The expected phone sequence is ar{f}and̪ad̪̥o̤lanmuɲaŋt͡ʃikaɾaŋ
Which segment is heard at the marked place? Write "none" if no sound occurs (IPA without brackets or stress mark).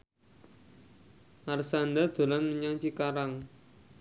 s